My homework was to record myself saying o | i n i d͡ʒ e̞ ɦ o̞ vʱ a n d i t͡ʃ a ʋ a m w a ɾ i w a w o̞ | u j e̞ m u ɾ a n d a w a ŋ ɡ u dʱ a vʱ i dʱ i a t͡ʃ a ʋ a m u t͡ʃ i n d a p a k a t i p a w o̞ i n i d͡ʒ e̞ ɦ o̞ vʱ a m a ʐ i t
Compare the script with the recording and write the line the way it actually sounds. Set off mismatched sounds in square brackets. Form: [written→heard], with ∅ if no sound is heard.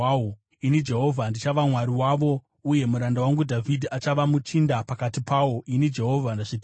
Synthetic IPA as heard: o | i n i d͡ʒ e̞ ɦ o̞ vʱ a n d i t͡ʃ a ʋ a m w a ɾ i w a [w→ʋ] o̞ | u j e̞ m u ɾ a n d a w a ŋ ɡ u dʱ a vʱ i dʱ i a t͡ʃ a ʋ a m u t͡ʃ i n d a p a k a t i p a w o̞ i n i d͡ʒ e̞ ɦ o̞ vʱ a [m→n] a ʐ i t